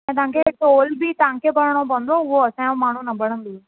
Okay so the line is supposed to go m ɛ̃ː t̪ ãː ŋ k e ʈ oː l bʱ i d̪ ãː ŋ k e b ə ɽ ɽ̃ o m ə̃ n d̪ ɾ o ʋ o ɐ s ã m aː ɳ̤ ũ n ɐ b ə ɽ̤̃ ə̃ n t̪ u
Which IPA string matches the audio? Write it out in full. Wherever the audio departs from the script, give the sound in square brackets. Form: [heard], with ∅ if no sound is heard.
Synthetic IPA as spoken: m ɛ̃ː t̪ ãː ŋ k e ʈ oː l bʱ i [t̪] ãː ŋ k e b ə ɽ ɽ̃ o [b] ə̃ n d̪ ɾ o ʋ o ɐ s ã m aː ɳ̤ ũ n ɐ b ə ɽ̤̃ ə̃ n [d̪] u

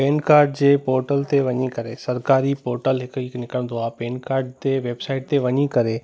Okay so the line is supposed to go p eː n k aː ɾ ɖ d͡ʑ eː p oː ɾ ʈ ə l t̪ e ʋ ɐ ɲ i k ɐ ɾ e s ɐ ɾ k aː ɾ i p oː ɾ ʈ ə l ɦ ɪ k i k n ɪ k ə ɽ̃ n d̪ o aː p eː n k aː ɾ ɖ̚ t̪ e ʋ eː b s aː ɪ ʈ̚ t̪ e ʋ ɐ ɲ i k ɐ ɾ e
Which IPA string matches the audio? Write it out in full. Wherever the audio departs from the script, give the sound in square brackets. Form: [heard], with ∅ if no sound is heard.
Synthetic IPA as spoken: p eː n k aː ɾ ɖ d͡ʑ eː p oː ɾ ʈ ə l t̪ e ʋ ɐ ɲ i k ɐ ɾ e s ɐ ɾ k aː ɾ i p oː ɾ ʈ ə l ɦ ɪ k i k n ɪ k ə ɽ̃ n d̪ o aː p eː n k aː ɾ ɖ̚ t̪ e ʋ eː b s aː ɪ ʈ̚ t̪ e ʋ ɐ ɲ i k ɐ ɾ e

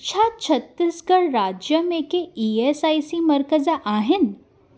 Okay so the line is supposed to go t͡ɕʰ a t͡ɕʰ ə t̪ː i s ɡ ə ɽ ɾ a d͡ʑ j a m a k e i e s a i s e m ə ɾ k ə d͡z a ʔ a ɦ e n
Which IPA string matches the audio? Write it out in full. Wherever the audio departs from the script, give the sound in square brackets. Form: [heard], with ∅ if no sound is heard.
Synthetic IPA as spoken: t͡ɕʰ a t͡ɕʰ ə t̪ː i s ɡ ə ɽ ɾ a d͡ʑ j [ə] m [e] k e i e s a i s [i] m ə ɾ k ə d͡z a ʔ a ɦ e n

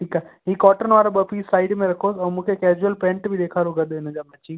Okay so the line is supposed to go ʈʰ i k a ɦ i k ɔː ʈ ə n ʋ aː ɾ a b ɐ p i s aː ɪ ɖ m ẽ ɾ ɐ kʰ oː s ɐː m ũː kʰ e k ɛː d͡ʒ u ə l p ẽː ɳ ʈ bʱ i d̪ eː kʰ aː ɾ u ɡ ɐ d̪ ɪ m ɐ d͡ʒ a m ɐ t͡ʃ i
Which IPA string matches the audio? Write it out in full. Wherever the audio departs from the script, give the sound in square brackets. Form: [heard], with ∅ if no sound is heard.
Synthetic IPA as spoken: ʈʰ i k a ɦ i k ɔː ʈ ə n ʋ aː ɾ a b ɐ p i s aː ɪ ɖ m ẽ ɾ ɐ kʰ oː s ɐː m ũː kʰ e k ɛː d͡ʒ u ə l p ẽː ɳ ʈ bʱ i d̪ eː kʰ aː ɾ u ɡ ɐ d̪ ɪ [n] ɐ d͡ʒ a m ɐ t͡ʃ i

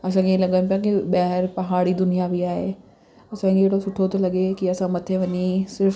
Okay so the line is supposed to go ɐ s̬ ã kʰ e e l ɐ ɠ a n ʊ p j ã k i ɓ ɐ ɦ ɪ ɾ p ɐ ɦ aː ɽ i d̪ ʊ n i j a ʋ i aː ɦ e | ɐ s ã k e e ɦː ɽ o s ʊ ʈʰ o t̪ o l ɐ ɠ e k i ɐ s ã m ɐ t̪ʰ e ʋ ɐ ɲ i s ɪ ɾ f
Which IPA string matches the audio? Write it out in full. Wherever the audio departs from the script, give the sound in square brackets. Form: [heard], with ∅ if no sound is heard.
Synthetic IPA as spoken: ɐ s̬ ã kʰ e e l ɐ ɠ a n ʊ p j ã k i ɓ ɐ ɦ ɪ ɾ p ɐ ɦ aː ɽ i d̪ ʊ n i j a ʋ i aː ɦ e | ɐ s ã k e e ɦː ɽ o s ʊ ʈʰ o t̪ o l ɐ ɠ e k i ɐ s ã m ɐ t̪ʰ e ʋ ɐ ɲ i s ɪ ɾ f

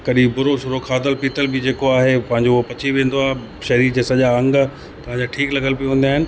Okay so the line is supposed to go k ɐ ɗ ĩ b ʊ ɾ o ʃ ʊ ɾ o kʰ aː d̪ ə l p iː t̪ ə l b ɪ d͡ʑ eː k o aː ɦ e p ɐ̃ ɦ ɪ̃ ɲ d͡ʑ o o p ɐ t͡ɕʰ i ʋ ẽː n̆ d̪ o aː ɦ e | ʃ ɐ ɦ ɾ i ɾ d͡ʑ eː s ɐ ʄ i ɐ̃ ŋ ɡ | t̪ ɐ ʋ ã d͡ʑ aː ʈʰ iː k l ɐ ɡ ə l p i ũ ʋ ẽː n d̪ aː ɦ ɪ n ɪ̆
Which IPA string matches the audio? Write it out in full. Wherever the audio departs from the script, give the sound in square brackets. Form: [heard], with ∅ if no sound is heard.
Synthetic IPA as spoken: k ɐ ɗ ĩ b ʊ ɾ o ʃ ʊ ɾ o kʰ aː d̪ ə l p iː t̪ ə l b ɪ d͡ʑ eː k o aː ɦ e p ɐ̃ ɦ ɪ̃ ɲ d͡ʑ o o p ɐ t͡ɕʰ i ʋ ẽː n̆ d̪ o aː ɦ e | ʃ ɐ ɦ ɾ i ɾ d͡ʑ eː s ɐ ʄ [a] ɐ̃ ŋ ɡ | t̪ ɐ ʋ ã d͡ʑ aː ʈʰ iː k l ɐ ɡ ə l p i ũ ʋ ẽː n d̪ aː ɦ ɪ n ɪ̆

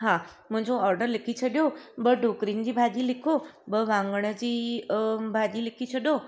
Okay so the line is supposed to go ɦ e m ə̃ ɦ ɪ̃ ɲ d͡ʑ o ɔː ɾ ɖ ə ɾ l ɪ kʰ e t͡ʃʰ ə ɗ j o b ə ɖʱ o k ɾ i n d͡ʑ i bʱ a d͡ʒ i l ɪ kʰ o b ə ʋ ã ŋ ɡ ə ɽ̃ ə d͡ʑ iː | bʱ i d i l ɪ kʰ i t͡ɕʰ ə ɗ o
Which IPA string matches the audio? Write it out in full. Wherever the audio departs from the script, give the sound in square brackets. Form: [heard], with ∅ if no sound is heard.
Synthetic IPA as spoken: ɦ [a] m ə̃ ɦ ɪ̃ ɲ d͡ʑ o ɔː ɾ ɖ ə ɾ l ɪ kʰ [i] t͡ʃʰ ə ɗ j o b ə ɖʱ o k ɾ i n d͡ʑ i bʱ a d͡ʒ i l ɪ kʰ o b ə ʋ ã ŋ ɡ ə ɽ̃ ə d͡ʑ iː | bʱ [a] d i l ɪ kʰ i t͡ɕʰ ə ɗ o

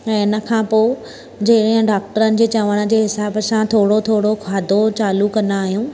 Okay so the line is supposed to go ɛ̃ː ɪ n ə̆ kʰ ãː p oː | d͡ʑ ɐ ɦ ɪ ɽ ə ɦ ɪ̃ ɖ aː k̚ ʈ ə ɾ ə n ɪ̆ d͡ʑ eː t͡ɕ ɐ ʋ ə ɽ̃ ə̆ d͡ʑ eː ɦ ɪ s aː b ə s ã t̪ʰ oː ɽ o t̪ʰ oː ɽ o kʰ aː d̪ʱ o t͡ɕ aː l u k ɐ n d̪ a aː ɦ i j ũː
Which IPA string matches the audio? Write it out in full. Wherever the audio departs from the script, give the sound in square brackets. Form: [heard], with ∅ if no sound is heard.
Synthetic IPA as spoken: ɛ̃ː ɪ n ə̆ kʰ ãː p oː | d͡ʑ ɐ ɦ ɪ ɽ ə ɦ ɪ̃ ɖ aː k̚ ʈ ə ɾ ə n ɪ̆ d͡ʑ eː t͡ɕ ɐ ʋ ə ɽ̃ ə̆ d͡ʑ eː ɦ ɪ s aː b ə s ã t̪ʰ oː ɽ o t̪ʰ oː ɽ o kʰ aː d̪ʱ o t͡ɕ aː l u k ɐ n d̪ a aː ɦ i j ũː

